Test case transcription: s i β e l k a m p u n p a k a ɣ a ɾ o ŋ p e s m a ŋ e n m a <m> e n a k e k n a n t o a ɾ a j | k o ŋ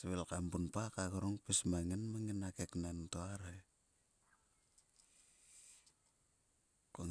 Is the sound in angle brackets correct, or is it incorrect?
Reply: incorrect